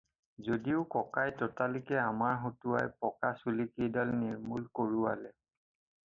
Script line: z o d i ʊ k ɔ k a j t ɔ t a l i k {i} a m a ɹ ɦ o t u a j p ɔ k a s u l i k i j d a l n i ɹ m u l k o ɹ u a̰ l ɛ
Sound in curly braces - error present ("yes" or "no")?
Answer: yes